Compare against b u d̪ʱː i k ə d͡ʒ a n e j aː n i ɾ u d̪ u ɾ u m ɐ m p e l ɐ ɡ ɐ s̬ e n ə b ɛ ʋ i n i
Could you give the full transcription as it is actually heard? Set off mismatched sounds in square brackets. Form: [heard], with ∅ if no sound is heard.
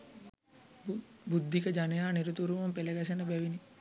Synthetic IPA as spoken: b u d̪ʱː i k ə d͡ʒ a n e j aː n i ɾ u [t̪] u ɾ u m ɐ m p e l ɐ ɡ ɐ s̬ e n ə b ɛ ʋ i n i